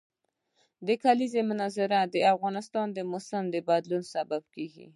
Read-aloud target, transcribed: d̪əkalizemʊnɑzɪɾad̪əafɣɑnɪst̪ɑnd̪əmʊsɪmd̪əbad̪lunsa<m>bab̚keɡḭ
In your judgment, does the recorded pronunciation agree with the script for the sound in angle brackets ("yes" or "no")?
no